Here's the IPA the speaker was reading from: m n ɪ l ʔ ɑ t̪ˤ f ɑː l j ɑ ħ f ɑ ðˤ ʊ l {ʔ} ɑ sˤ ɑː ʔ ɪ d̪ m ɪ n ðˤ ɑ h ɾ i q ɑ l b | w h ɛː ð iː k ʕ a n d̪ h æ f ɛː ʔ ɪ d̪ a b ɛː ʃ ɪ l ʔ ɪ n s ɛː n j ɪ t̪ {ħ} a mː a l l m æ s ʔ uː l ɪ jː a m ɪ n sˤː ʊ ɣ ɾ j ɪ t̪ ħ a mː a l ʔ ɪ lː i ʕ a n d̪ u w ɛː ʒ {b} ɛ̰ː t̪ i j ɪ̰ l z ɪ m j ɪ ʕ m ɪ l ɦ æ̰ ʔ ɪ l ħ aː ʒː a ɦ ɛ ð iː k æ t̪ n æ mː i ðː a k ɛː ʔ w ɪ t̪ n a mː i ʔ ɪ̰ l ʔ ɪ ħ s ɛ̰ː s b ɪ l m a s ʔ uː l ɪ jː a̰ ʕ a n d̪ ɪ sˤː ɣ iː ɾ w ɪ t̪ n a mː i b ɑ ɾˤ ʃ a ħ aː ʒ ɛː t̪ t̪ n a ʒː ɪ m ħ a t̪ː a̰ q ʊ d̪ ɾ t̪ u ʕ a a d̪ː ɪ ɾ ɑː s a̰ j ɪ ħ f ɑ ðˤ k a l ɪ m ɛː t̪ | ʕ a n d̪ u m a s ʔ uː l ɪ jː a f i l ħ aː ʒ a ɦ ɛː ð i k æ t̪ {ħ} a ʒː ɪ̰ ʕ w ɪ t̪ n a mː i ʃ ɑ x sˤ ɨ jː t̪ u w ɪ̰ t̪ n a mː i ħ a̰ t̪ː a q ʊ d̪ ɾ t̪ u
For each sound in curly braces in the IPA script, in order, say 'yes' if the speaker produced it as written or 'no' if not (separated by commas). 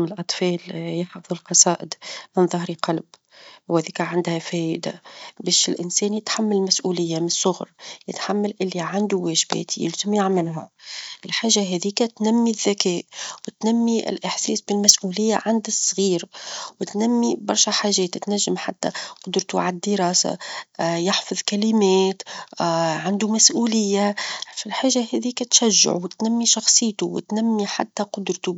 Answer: no, yes, yes, no